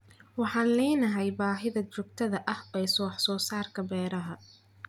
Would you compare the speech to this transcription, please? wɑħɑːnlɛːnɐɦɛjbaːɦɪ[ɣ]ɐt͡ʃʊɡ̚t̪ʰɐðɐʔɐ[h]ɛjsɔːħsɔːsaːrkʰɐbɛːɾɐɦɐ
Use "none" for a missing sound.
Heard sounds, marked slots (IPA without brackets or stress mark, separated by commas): ð, h